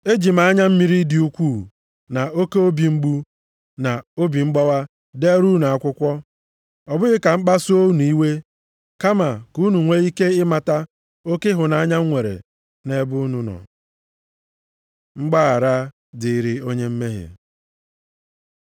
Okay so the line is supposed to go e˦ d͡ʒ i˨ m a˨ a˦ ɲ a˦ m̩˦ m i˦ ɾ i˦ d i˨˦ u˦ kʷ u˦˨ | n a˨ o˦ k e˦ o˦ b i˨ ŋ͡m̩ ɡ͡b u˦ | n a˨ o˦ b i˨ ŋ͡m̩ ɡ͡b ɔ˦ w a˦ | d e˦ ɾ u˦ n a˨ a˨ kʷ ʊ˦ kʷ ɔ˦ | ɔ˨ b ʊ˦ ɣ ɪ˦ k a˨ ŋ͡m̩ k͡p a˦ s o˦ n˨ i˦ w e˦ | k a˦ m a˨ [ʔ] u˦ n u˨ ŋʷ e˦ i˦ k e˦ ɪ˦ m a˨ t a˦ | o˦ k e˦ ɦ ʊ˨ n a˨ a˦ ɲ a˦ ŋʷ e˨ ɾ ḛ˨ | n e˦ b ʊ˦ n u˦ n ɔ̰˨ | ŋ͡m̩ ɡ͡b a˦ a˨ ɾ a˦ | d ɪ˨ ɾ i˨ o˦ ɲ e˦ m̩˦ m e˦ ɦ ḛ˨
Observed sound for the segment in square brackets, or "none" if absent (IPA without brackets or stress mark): k